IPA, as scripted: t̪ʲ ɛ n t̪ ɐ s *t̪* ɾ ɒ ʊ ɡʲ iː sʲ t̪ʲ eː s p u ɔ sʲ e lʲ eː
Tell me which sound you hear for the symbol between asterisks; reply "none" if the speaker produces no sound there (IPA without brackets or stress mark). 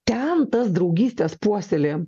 d̪